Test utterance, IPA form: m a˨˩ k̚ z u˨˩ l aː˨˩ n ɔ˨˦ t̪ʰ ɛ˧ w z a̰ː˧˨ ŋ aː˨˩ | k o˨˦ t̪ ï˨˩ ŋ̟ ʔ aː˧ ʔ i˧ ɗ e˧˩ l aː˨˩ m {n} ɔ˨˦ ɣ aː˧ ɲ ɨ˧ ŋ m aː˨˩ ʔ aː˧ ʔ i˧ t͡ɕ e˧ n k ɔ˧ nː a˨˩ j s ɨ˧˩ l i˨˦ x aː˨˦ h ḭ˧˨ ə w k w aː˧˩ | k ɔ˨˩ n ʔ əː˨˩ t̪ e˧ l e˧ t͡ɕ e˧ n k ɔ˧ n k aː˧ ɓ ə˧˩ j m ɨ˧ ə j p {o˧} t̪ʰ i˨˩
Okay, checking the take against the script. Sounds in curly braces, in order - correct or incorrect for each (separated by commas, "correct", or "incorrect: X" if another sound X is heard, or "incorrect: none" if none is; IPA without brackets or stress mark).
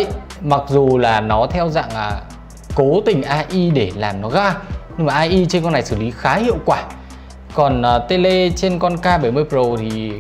correct, incorrect: o˨˩